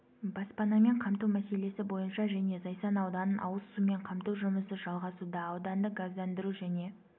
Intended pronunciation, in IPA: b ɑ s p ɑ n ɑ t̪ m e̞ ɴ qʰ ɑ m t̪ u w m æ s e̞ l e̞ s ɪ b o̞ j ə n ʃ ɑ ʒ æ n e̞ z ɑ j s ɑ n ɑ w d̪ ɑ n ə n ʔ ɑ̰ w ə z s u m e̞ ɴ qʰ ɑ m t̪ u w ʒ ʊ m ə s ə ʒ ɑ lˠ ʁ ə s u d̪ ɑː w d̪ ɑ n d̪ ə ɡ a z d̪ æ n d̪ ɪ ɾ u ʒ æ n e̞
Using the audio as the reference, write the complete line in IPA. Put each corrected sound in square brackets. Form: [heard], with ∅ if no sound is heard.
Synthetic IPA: b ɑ s p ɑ n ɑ [∅] m e̞ ɴ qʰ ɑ m t̪ u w m æ s e̞ l e̞ s ɪ b o̞ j ə n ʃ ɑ ʒ æ n e̞ z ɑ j s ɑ n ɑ w d̪ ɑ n ə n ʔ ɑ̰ w ə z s u m e̞ ɴ qʰ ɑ m t̪ u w ʒ ʊ m ə s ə ʒ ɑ lˠ ʁ [ɑ] s u d̪ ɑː w d̪ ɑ n d̪ ə ɡ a z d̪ æ n d̪ ɪ ɾ u ʒ æ n e̞

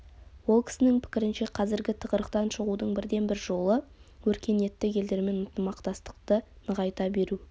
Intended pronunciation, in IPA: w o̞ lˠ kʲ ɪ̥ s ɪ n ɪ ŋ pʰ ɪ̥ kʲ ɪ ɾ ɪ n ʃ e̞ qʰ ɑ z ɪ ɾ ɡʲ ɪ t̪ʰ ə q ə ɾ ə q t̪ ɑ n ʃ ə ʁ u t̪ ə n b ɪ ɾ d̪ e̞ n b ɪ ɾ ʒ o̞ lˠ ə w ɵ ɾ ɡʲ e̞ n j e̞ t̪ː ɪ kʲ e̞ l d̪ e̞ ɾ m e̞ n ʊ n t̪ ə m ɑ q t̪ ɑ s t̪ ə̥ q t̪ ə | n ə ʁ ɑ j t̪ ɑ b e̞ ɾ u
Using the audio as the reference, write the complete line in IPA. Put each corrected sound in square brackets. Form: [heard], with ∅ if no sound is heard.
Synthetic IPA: w o̞ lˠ kʲ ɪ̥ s ɪ n ɪ ŋ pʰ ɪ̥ kʲ ɪ ɾ ɪ n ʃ e̞ qʰ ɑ z ɪ ɾ ɡʲ ɪ t̪ʰ ə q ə ɾ ə q t̪ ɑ n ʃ ə ʁ u [d̪] ə [ɴ] b ɪ ɾ d̪ e̞ n b ɪ ɾ ʒ o̞ lˠ ə w ɵ ɾ [kʲ] e̞ n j e̞ t̪ː ɪ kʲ e̞ l d̪ e̞ ɾ m e̞ n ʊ n t̪ ə m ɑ q t̪ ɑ s t̪ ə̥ q t̪ ə | n ə ʁ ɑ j t̪ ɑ b e̞ ɾ u

